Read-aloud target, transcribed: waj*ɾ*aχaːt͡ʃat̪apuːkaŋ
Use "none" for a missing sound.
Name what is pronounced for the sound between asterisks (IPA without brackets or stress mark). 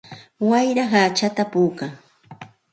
ɾ